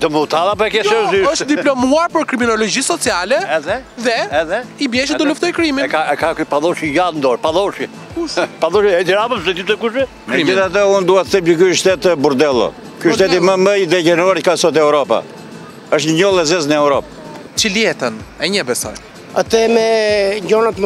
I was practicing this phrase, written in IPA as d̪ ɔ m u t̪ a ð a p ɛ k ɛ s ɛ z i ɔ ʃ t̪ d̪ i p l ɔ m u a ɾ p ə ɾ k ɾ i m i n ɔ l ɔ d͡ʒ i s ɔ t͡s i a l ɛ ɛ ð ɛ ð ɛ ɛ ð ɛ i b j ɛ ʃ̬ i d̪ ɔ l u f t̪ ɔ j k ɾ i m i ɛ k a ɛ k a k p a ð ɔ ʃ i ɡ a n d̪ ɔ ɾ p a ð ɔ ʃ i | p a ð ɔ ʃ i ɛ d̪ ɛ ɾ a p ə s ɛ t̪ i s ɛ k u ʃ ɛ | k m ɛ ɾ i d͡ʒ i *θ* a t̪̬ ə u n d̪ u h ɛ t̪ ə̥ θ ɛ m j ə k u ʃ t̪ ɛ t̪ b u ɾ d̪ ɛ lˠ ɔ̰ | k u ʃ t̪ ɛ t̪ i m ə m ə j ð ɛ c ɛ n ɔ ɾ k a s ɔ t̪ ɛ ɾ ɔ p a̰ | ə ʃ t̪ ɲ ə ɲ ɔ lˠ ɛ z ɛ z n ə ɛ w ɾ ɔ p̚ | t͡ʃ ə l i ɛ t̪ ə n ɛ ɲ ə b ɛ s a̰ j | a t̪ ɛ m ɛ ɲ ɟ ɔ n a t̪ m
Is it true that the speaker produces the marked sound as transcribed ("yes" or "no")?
yes